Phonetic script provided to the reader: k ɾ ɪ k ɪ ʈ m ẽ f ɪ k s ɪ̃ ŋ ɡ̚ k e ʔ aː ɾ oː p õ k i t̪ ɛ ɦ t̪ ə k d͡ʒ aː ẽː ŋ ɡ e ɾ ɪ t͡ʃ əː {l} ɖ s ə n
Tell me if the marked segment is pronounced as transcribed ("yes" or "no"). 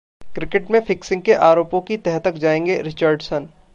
no